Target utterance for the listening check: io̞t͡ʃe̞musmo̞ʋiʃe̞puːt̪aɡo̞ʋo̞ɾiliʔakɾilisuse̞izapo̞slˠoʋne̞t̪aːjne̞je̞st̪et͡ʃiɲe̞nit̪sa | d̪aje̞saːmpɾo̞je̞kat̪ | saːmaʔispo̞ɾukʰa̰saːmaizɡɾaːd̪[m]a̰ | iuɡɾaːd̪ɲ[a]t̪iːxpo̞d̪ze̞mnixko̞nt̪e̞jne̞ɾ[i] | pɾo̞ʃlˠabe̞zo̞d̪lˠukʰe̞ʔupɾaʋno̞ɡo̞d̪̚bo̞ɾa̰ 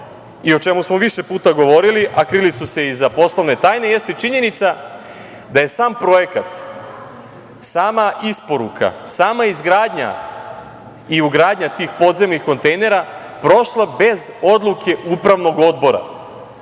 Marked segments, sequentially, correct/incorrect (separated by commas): incorrect, correct, incorrect